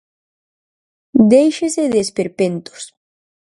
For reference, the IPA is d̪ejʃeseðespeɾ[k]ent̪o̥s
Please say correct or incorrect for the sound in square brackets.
incorrect